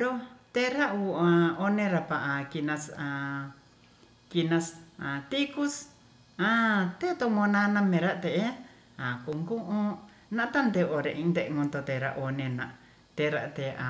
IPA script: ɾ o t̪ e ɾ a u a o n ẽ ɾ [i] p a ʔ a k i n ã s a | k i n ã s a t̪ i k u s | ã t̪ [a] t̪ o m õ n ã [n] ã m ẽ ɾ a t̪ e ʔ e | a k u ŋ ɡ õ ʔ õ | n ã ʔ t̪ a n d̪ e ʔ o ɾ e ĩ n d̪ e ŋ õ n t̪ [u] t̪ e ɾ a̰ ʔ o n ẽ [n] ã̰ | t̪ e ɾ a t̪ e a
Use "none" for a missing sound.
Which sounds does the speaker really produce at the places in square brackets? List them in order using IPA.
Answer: a, e, n, o, n

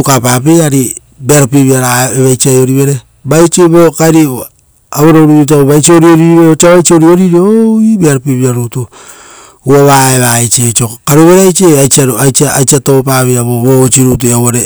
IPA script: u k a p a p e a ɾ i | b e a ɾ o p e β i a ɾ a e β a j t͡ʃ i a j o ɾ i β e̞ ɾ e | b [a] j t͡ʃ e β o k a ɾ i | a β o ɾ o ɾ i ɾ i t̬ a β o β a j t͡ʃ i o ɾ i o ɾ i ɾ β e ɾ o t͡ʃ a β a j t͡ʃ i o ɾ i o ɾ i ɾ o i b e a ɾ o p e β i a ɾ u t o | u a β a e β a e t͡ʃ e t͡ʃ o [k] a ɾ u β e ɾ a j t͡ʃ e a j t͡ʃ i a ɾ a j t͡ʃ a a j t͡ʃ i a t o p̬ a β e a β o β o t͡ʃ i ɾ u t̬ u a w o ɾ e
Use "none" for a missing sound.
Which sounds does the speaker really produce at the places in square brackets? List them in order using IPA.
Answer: a, k

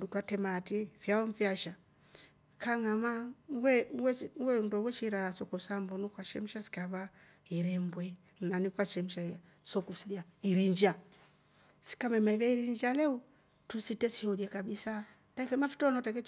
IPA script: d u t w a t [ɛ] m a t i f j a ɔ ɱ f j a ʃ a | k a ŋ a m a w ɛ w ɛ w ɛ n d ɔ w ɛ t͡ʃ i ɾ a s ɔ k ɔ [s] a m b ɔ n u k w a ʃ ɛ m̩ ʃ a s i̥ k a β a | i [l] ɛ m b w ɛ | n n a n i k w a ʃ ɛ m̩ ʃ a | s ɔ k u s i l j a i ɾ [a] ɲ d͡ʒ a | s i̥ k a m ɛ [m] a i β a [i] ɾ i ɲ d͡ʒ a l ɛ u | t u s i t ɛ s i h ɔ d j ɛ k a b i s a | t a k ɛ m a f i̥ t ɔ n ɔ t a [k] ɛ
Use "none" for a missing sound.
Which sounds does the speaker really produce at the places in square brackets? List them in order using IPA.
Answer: ɛ, s, ɾ, i, m, i, k

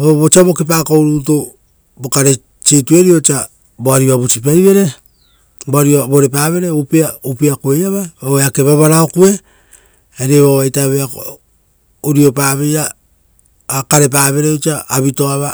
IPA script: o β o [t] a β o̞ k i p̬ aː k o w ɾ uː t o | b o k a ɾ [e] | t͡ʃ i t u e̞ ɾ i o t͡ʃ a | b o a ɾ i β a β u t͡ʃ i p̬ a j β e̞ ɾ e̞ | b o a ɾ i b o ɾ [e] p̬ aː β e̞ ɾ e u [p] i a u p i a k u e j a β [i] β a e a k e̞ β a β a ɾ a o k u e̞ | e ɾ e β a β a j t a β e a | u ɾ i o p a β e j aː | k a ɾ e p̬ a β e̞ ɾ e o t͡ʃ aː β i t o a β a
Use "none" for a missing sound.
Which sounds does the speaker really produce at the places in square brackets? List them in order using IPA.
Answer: t͡ʃ, e, e, p, a

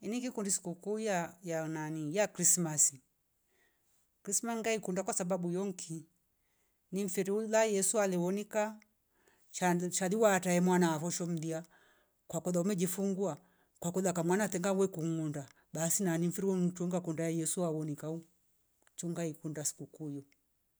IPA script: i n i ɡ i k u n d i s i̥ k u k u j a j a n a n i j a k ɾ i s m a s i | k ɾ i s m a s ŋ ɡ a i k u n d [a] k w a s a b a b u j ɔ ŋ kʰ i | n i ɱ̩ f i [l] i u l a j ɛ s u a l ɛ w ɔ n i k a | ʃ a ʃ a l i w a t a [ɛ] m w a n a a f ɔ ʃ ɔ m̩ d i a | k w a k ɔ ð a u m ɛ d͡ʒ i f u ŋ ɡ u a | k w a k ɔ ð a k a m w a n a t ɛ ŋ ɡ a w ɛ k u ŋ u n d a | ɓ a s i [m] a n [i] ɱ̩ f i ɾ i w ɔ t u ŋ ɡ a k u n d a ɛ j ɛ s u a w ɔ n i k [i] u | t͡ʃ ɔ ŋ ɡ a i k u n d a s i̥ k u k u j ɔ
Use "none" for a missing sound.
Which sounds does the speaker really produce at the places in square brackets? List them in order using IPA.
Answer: a, ɾ, ɛ, n, i, a

